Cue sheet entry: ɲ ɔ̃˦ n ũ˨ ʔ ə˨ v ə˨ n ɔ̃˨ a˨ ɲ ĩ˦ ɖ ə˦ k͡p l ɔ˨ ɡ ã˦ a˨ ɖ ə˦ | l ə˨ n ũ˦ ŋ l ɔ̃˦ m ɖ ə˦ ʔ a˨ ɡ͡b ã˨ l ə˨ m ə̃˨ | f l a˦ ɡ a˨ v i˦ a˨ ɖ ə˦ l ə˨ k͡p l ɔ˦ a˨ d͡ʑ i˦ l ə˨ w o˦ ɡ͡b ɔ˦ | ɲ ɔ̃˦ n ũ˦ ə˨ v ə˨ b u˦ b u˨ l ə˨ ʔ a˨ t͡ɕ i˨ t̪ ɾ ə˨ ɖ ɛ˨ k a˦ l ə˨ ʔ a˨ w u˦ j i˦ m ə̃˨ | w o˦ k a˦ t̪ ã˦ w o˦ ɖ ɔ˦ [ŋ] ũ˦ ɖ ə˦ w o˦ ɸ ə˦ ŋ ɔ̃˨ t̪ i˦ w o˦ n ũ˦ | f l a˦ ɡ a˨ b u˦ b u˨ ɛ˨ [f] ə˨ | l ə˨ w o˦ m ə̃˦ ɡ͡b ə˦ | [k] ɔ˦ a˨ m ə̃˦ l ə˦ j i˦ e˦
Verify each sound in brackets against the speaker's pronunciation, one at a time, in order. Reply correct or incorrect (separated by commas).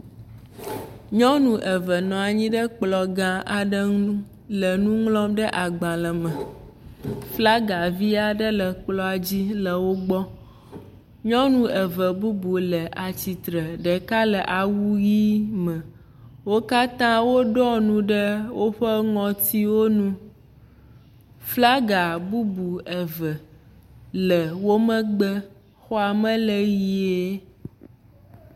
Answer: incorrect, incorrect, incorrect